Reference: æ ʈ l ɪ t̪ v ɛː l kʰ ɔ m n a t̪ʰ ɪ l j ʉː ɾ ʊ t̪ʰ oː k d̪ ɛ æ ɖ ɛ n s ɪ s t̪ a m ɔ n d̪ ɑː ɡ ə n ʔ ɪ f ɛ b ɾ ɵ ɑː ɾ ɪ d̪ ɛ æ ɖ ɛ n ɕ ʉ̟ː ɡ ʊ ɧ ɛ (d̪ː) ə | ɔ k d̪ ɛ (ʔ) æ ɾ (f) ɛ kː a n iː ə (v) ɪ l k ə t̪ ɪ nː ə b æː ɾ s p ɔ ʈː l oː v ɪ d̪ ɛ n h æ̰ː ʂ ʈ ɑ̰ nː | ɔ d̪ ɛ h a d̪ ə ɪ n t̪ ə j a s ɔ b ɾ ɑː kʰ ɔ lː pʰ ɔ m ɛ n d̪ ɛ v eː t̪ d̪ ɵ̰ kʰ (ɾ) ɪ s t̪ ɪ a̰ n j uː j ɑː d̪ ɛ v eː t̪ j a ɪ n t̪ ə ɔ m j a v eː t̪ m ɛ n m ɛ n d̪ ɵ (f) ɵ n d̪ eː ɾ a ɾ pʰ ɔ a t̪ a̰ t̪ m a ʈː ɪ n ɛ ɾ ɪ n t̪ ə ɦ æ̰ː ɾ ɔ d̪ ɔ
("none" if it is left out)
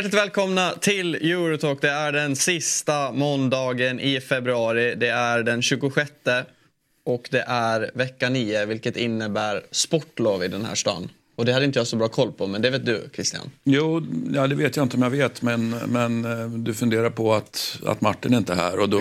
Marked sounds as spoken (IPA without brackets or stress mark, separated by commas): t̪ː, ʔ, v, v, ɾ, f